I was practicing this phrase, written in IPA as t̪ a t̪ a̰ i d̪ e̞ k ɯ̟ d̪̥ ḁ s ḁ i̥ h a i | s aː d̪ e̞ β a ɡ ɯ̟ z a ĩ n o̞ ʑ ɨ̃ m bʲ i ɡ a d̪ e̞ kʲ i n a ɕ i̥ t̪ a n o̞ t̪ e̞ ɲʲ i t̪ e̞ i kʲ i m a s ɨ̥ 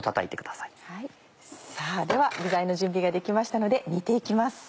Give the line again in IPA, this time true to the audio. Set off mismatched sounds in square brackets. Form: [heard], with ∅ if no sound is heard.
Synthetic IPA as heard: t̪ a t̪ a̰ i [t̪] e̞ k ɯ̟ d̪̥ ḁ s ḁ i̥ h a i | s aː d̪ e̞ β a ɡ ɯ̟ z a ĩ n o̞ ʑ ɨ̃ m bʲ i ɡ a d̪ e̞ kʲ i [m] a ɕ i̥ t̪ a n o̞ [d̪] e̞ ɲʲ i t̪ e̞ i kʲ i m a s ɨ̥